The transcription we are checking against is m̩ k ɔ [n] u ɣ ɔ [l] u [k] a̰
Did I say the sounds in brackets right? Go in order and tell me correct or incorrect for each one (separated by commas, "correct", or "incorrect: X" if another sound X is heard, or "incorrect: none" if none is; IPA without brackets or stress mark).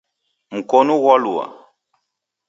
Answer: correct, correct, incorrect: none